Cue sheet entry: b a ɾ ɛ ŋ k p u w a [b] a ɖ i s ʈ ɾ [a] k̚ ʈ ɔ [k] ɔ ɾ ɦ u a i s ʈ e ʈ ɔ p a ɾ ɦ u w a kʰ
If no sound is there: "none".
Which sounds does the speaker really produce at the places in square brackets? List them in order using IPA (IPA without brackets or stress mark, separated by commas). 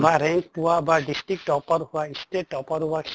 b, i, p